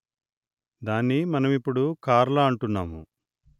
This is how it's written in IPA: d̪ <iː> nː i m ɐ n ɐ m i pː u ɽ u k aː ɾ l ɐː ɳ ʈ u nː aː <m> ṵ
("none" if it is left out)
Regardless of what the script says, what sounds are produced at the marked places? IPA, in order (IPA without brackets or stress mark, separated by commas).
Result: aː, m